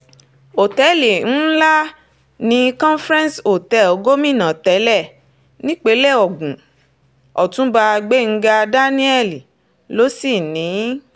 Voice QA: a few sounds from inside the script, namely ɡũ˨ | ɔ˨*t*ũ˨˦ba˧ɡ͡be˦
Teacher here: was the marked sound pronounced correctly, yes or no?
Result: yes